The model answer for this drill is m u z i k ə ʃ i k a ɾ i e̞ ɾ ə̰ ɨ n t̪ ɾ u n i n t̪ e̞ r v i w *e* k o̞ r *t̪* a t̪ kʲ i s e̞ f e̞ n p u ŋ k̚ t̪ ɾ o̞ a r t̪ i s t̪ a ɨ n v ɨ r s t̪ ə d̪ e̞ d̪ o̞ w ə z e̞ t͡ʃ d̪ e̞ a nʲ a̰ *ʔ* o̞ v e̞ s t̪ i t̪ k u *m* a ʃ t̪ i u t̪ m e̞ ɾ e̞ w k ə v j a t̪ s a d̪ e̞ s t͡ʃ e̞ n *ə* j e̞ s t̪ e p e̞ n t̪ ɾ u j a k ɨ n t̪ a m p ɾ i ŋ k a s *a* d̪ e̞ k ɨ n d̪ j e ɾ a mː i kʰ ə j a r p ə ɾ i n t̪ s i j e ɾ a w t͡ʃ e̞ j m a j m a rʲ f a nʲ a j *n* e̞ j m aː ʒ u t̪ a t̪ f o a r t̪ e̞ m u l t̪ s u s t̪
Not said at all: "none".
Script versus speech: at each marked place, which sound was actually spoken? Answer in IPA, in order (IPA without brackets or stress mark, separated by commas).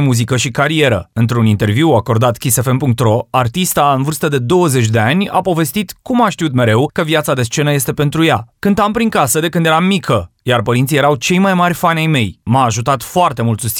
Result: a, d̪, p, m, ə, ə, m